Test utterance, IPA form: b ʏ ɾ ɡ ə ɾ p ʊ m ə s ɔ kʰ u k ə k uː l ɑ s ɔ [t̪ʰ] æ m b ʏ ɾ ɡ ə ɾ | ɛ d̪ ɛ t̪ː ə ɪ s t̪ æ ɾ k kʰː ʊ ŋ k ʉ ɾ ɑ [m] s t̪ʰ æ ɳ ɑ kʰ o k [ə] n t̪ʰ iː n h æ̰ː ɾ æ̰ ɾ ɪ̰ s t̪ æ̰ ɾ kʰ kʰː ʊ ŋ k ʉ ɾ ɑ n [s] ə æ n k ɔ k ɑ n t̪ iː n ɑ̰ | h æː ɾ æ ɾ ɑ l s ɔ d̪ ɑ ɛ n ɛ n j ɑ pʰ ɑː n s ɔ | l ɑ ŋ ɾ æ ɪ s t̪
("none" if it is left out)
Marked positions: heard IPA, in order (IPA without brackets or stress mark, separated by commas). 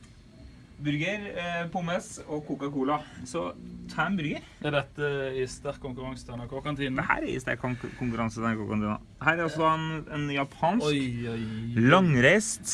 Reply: t̪ʰ, ŋ, ɑ, s